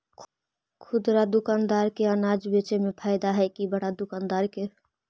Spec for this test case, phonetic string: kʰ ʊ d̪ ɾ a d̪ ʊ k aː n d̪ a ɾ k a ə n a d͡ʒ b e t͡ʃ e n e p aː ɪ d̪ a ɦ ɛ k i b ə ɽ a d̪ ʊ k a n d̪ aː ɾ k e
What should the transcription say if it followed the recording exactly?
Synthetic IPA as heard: kʰ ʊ d̪ ɾ a d̪ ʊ k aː n d̪ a ɾ k e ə n a d͡ʒ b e t͡ʃ e m e pʰ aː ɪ d̪ a ɦ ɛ k i b ə ɽ a d̪ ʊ k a n d̪ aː ɾ k e